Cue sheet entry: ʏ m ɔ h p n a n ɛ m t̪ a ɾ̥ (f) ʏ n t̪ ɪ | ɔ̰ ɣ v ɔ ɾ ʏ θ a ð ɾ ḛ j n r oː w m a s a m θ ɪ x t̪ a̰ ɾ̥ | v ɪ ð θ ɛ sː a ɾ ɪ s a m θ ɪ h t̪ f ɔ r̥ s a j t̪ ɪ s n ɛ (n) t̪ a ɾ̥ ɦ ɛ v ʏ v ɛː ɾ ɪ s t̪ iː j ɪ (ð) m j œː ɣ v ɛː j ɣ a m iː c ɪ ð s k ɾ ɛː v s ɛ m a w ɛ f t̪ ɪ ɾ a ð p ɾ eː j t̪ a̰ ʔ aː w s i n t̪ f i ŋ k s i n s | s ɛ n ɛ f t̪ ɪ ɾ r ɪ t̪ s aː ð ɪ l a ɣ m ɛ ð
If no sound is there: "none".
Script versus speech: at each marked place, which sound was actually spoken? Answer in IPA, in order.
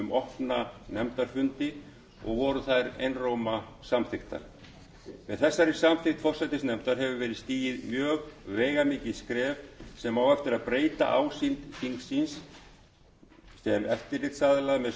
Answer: f, m, ð

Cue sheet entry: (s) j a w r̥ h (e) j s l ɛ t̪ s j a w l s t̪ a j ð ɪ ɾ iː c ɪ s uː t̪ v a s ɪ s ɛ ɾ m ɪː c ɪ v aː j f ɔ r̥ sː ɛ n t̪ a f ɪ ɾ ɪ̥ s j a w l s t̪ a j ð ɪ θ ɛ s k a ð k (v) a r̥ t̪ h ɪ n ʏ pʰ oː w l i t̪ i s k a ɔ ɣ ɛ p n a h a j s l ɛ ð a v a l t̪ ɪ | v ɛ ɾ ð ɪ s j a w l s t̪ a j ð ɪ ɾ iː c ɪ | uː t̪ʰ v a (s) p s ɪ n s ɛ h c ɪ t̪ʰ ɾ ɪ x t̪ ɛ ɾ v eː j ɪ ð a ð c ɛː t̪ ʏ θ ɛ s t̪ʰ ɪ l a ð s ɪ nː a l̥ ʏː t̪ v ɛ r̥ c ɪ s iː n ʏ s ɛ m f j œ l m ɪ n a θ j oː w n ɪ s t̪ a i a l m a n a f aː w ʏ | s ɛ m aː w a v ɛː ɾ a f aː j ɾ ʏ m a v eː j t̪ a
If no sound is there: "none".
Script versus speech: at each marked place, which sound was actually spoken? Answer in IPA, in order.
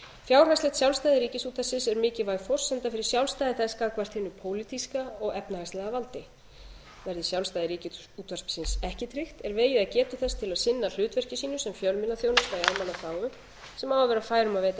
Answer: f, a, v, s

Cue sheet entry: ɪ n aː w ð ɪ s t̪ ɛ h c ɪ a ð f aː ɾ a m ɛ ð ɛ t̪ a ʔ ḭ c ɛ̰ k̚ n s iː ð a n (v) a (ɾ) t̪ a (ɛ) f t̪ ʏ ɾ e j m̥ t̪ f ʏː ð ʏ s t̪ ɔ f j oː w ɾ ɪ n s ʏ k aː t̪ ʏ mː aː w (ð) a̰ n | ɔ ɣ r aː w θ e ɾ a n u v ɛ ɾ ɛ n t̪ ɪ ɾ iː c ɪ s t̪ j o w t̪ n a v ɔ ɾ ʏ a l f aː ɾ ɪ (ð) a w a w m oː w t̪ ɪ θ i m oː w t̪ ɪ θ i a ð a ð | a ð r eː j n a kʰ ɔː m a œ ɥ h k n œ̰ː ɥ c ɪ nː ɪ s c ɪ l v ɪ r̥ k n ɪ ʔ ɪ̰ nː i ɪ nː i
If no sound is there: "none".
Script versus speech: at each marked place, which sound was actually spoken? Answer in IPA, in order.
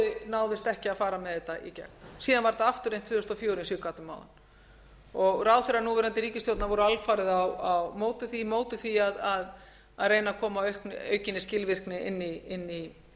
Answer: v, ɾ, a, ð, ð

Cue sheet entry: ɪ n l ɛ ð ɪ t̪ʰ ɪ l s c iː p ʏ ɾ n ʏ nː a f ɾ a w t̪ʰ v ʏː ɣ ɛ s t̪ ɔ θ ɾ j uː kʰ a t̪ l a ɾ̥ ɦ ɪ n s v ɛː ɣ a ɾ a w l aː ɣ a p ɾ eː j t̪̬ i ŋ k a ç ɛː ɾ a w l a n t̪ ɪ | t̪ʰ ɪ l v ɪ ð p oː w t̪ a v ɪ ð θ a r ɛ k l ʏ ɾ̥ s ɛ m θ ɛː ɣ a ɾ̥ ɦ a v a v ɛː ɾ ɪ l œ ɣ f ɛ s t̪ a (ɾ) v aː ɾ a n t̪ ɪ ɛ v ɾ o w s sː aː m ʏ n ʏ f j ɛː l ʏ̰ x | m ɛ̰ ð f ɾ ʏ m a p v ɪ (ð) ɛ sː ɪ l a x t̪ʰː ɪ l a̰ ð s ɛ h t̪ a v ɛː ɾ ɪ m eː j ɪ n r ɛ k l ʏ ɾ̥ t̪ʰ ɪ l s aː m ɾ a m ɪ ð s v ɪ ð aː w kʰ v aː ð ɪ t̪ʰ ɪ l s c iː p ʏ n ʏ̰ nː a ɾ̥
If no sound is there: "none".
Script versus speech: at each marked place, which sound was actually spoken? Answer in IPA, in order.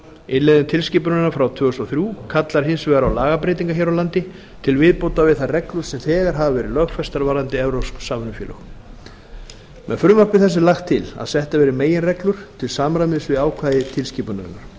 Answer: ɾ, θ

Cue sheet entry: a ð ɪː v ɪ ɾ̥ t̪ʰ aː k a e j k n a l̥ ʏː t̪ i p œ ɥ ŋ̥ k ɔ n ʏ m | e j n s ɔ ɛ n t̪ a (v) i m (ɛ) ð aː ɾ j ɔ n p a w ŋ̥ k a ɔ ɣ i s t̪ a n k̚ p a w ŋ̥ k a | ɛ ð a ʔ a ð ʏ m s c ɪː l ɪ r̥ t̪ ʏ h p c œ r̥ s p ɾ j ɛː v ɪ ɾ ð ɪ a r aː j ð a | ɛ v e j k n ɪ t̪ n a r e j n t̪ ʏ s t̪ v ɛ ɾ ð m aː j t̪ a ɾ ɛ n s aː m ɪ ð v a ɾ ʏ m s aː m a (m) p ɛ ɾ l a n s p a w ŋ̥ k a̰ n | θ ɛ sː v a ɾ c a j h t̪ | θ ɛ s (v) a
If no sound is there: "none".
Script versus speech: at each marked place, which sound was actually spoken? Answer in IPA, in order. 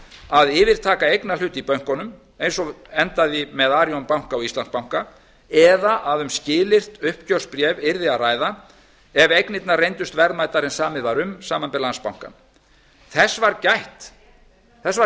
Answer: ð, ɛ, n, v

